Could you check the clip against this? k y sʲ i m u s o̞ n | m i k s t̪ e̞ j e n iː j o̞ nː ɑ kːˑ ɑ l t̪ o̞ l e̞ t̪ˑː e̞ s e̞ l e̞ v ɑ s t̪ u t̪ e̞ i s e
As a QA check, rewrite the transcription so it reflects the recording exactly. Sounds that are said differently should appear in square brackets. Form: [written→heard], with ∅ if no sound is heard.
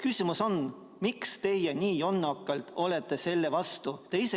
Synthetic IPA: k y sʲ i m u s o̞ n | m i k s t̪ e̞ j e n iː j o̞ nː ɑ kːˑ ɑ l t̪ o̞ l e̞ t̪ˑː e̞ s e̞ [l→lː] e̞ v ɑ s t̪ u t̪ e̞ i s e

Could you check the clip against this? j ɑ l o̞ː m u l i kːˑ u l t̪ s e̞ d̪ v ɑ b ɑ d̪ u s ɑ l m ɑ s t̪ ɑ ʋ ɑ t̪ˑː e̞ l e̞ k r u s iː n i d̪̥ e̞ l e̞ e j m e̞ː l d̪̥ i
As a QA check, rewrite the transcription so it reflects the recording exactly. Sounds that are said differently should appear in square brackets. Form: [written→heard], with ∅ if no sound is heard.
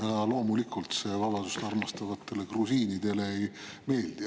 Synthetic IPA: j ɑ l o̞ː m u l i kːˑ u l t̪ s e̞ [d̪→∅] v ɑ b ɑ d̪ u s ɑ [l→r] m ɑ s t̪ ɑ [ʋ→v] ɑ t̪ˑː e̞ l e̞ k r u s iː n i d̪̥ e̞ l e̞ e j m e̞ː l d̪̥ i

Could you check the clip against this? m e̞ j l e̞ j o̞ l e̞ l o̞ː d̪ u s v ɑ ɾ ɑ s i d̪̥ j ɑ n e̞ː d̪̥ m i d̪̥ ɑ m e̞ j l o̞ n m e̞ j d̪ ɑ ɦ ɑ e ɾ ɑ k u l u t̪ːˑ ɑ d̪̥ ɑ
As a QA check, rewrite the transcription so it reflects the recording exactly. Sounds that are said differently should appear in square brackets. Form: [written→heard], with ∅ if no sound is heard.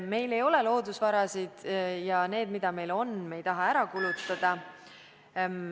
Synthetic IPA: m e̞ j l e̞ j o̞ l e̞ l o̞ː d̪ u s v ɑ ɾ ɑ s i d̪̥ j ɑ n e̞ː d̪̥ m i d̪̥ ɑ m e̞ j l o̞ n m e̞ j [d̪→t̪] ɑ ɦ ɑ [e→æ] ɾ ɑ k u l u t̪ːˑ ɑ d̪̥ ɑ

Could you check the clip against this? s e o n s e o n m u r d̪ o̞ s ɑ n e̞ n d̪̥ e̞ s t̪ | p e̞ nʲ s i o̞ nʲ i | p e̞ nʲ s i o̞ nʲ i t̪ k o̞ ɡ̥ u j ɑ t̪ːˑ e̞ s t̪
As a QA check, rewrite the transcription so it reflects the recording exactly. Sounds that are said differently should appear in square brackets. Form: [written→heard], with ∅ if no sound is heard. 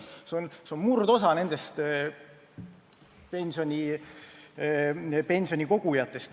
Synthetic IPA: s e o n s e o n m u r d̪ o̞ s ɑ n e̞ n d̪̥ e̞ s t̪ | p e̞ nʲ s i o̞ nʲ i | p e̞ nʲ s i o̞ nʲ i [t̪→∅] k o̞ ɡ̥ u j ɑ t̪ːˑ e̞ s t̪

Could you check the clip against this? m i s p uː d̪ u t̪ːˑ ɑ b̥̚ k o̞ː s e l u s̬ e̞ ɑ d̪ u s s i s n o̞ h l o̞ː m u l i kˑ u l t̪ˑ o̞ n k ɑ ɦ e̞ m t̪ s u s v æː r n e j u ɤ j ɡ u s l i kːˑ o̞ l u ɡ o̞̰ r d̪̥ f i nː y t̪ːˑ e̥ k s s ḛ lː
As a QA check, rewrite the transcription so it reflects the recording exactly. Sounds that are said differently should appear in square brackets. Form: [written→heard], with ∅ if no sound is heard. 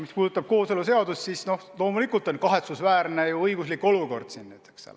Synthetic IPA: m i s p uː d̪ u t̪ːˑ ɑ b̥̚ k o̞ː s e l u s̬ e̞ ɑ d̪ u s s i s n o̞ h l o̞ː m u l i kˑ u l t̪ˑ o̞ n k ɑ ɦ e̞ [m→∅] t̪ s u s v æː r n e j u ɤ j ɡ u s l i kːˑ o̞ l u [ɡ→k] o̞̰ r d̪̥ [f→s] i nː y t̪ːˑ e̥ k s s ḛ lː

